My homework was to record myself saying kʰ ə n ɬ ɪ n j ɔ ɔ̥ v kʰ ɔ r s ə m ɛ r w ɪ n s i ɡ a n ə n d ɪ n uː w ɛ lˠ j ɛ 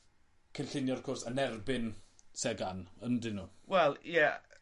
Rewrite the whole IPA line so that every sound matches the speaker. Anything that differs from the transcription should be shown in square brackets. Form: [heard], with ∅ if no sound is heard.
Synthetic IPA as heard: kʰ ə n ɬ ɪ n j ɔ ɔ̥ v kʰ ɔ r s ə [n] ɛ r [b] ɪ n s [ɛ] ɡ a n ə n d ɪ n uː w ɛ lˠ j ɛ